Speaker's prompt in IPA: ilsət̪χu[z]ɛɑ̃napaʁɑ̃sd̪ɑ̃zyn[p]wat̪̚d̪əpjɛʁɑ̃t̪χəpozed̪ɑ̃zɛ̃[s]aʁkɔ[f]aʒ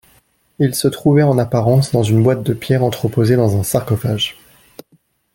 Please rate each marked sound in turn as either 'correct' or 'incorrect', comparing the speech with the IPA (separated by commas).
incorrect, incorrect, correct, correct